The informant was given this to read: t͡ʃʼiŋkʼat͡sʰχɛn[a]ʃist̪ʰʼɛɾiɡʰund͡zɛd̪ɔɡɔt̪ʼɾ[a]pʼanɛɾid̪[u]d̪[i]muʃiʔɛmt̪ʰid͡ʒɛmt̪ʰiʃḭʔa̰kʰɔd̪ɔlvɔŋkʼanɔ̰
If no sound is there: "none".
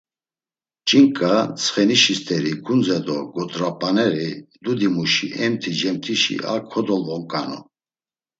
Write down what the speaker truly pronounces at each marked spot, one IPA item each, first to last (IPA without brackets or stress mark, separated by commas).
i, a, u, i